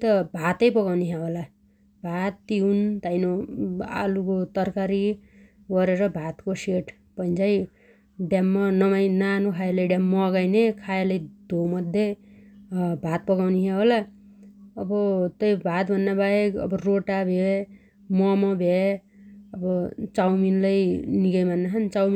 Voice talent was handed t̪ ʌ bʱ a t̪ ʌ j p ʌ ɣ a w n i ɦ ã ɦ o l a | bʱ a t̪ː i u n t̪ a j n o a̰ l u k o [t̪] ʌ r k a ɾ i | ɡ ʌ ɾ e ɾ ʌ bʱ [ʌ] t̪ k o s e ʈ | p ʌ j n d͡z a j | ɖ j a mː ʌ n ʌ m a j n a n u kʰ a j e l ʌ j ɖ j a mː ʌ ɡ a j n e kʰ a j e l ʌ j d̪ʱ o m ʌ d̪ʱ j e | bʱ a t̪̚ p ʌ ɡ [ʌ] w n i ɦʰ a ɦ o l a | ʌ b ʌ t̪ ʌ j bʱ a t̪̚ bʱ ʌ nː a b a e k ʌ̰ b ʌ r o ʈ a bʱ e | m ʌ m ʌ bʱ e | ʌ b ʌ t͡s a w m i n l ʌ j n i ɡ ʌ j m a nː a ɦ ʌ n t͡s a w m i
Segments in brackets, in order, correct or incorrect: correct, incorrect: a, incorrect: a

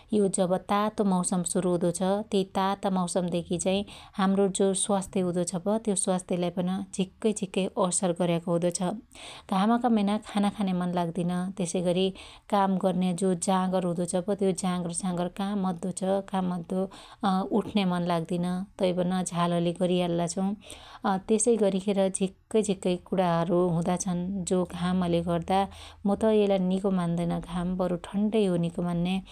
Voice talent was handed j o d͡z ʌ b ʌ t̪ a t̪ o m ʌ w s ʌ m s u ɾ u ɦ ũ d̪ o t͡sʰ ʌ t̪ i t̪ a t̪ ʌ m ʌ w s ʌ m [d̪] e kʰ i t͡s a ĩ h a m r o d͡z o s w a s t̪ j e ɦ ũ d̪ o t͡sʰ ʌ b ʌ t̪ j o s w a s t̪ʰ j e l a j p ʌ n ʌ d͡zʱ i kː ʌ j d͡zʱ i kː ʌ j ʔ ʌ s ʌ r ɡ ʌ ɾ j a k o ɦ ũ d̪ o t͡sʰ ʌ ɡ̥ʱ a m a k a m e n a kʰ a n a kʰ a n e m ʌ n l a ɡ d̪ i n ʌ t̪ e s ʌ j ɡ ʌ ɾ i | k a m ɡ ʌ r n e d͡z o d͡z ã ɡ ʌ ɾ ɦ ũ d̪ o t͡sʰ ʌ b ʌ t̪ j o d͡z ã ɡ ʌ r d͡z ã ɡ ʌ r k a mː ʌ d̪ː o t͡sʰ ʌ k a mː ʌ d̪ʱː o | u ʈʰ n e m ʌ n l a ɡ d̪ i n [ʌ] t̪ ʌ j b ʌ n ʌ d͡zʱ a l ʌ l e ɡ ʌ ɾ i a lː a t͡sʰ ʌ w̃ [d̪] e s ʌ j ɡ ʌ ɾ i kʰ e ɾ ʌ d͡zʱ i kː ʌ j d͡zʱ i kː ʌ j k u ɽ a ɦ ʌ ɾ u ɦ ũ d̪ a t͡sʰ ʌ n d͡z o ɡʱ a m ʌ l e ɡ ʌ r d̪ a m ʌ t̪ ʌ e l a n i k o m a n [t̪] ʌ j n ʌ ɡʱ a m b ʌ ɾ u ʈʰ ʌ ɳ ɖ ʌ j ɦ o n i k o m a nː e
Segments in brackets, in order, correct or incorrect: correct, correct, incorrect: t̪, incorrect: d̪

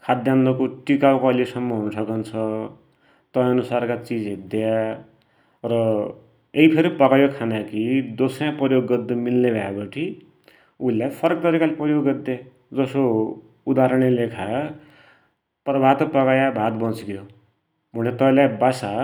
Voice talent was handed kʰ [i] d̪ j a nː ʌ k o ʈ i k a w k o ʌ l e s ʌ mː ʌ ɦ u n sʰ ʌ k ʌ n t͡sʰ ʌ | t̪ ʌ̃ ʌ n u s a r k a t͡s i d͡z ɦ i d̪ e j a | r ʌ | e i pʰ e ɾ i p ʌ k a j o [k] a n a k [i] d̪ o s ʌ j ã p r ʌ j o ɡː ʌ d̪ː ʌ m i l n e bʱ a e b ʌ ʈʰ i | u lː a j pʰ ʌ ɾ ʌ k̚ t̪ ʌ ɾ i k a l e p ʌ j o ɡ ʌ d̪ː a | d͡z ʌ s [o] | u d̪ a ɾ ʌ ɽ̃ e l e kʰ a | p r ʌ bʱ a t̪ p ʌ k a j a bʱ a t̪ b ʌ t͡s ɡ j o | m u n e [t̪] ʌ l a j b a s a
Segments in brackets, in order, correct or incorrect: incorrect: a, incorrect: kʰ, correct, correct, correct

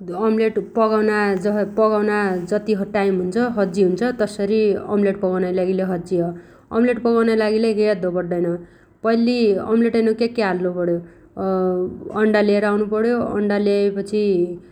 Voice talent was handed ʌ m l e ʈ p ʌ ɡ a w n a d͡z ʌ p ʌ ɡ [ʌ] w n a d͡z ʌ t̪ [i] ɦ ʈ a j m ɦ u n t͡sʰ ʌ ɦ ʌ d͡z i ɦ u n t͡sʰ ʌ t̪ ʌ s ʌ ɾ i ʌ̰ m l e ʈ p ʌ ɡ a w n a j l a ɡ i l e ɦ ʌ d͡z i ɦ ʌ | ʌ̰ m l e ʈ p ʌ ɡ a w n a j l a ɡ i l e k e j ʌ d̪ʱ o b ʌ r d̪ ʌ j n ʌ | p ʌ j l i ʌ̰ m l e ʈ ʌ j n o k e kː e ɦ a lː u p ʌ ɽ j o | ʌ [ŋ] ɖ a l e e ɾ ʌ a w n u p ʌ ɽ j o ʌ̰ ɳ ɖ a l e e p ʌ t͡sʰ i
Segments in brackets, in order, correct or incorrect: incorrect: a, correct, incorrect: ɳ

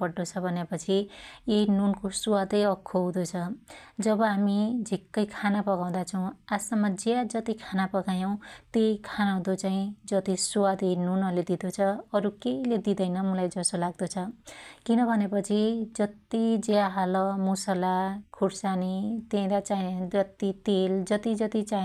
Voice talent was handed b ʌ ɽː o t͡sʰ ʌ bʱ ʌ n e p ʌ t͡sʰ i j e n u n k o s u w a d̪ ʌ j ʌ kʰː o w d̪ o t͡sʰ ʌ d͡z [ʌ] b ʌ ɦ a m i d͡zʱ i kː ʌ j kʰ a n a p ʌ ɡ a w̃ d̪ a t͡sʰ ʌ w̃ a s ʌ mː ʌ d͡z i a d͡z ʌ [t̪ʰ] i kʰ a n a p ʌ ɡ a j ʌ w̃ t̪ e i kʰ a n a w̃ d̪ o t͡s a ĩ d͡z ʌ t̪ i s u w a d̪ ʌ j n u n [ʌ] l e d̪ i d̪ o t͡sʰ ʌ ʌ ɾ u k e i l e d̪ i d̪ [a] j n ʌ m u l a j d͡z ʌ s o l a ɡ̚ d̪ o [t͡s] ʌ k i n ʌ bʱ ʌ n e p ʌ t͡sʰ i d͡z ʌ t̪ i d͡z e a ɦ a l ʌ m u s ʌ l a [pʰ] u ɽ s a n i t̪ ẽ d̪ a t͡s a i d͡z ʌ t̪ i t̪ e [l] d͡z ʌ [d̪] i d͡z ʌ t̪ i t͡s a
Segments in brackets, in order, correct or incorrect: correct, incorrect: t̪, correct, incorrect: ʌ, incorrect: t͡sʰ, incorrect: kʰ, correct, incorrect: t̪

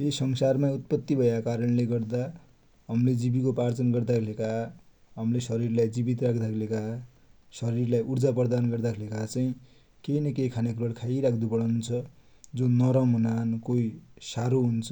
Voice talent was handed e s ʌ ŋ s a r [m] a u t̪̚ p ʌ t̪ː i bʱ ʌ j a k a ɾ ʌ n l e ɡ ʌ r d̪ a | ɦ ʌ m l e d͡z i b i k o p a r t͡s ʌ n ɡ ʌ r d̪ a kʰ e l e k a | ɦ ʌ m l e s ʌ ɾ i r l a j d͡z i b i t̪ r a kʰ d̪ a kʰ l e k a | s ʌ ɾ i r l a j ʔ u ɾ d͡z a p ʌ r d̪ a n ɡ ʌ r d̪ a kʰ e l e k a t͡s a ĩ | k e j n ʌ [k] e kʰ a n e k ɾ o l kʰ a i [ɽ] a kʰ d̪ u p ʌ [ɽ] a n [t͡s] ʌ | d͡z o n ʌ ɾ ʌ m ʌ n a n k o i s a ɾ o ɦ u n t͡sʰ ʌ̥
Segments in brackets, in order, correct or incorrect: correct, correct, incorrect: ɾ, correct, incorrect: t͡sʰ

